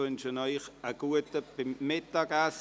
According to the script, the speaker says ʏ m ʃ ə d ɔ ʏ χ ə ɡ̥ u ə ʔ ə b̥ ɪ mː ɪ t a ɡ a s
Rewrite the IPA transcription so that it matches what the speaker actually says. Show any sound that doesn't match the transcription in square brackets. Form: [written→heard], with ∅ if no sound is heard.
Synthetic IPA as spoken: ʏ [m→n] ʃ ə [d→n] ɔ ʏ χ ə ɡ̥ u ə [ʔ→t] ə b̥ ɪ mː ɪ t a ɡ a s

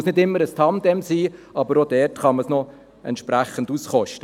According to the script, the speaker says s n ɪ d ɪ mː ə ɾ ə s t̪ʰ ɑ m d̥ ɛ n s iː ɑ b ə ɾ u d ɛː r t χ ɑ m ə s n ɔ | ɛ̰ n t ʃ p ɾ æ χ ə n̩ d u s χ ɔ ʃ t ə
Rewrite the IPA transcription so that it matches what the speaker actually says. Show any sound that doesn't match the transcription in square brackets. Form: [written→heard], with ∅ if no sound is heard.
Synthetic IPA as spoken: s n ɪ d ɪ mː ə ɾ ə s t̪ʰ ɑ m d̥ ɛ [n→m] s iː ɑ b ə ɾ [u→o] d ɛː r t χ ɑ m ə s n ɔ | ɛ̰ n t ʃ p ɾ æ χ ə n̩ d u s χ ɔ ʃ t ə

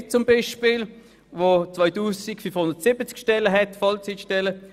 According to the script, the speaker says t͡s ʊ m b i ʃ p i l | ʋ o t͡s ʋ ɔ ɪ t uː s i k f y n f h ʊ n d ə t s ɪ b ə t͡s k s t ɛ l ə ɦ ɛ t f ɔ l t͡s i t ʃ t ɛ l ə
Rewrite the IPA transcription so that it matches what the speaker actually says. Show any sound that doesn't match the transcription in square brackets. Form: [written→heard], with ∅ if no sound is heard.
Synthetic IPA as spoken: t͡s ʊ m b i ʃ p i l | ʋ o t͡s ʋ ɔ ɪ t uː s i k f y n f h ʊ n d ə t s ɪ b ə t͡s k [s→ʃ] t ɛ l ə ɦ ɛ t f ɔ l t͡s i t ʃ t ɛ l ə

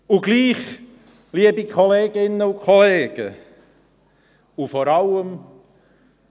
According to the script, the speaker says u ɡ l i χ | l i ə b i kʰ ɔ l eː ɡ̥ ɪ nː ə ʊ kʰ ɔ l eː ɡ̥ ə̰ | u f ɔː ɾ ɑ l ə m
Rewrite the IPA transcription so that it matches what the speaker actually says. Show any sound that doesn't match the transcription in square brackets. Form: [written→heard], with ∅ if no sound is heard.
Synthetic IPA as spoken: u ɡ l [i→iː] χ | l i ə b i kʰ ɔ l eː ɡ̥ ɪ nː ə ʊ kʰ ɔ l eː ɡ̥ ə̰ | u f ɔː ɾ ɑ l ə m

